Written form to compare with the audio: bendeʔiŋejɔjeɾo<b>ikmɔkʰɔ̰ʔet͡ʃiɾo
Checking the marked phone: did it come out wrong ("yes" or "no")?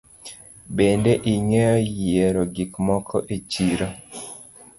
yes